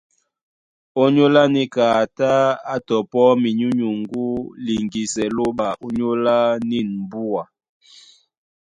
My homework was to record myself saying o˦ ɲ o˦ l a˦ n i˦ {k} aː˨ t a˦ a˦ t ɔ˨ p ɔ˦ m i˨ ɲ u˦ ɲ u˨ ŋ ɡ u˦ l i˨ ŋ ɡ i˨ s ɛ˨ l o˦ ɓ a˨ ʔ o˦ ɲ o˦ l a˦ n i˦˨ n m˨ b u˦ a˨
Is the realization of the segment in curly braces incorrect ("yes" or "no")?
no